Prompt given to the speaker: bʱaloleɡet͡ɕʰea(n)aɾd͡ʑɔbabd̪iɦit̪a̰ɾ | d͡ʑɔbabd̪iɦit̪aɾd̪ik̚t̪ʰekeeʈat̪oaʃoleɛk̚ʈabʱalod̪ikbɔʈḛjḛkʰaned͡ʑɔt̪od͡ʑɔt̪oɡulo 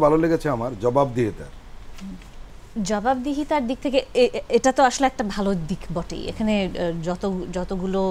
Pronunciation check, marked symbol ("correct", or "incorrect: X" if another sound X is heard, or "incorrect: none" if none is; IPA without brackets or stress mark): incorrect: m